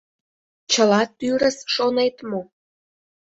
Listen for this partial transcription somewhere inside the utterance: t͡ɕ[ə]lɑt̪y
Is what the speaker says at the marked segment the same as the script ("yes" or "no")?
yes